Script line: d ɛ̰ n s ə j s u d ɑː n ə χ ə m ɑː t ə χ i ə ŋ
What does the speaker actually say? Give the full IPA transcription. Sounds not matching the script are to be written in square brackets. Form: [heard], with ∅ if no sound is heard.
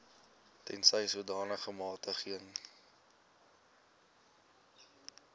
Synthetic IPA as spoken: [t] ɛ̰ n s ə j s u d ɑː n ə χ ə m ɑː t ə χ i ə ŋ